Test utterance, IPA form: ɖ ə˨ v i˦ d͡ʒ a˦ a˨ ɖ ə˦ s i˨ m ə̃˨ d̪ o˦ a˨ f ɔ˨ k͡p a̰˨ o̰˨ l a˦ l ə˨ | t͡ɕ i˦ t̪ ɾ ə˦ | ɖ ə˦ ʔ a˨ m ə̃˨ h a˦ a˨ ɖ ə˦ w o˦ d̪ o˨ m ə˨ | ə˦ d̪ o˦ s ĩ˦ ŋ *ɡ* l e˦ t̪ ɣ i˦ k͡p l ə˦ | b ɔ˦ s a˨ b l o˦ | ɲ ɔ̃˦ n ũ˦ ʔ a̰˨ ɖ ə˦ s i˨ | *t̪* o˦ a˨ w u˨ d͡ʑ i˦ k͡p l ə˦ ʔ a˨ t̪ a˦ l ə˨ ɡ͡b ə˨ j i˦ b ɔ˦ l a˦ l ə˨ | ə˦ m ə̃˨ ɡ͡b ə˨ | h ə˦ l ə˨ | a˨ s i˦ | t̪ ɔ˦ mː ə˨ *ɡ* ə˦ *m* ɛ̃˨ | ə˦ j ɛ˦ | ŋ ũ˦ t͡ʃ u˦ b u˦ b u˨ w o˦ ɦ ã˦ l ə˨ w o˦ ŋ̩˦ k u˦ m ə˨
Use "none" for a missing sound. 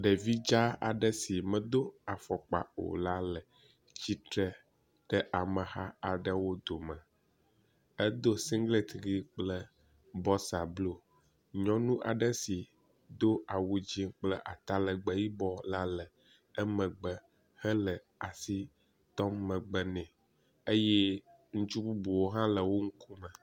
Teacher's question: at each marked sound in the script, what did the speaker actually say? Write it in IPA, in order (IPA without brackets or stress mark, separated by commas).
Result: ɡ, d̪, ɡ͡b, n